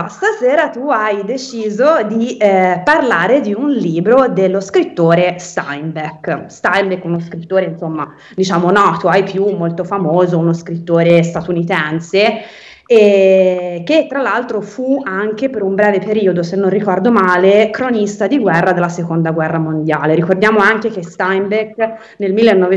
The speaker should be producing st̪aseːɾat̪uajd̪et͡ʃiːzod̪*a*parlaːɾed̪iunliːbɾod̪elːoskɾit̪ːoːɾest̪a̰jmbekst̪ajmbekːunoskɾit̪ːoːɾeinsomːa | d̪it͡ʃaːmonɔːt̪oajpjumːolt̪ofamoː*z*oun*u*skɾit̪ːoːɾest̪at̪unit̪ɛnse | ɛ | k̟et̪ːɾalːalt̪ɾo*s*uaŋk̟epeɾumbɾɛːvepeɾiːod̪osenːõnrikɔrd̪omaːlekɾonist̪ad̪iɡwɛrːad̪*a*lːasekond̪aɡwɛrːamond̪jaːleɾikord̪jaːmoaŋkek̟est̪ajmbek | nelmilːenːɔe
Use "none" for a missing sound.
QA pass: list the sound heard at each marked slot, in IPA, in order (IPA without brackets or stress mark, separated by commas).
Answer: i, z, o, f, e